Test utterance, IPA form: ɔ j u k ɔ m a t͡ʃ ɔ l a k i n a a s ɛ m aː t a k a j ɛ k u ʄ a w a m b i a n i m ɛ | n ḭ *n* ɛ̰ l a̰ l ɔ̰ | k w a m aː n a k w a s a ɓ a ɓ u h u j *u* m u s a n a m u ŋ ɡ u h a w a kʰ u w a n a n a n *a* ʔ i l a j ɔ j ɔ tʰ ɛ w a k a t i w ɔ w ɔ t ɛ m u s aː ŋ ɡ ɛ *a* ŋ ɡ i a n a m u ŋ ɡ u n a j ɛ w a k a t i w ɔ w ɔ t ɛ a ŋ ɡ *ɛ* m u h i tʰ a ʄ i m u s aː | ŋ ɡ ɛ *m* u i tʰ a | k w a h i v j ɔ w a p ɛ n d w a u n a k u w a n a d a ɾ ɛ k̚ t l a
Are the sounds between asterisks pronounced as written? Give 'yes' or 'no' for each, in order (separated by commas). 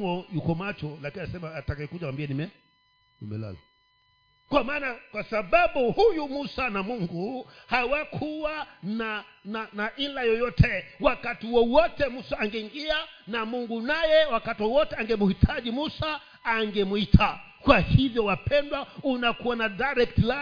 no, yes, yes, no, yes, yes